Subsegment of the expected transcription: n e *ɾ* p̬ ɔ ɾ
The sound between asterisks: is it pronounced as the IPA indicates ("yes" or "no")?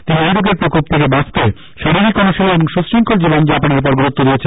yes